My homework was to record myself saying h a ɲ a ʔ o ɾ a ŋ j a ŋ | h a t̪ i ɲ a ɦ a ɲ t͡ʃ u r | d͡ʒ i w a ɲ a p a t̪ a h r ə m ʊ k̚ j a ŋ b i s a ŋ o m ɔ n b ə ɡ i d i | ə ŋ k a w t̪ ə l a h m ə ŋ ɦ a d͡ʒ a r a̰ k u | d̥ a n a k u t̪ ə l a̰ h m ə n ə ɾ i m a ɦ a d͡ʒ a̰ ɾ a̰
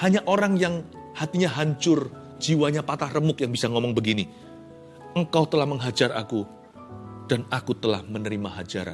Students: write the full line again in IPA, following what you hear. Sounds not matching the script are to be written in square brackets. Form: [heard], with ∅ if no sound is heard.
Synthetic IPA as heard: h a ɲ a ʔ o ɾ a ŋ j a ŋ | h a t̪ i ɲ a ɦ a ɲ t͡ʃ [ʊ] r | d͡ʒ i w a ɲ a p a t̪ a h r ə m ʊ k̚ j a ŋ b i s a ŋ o m ɔ [ŋ] b ə ɡ i [n] i | ə ŋ k a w t̪ ə l a h m ə ŋ ɦ a d͡ʒ a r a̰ k u | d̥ a n a k u t̪ ə l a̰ h m ə n ə ɾ i m a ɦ a d͡ʒ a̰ ɾ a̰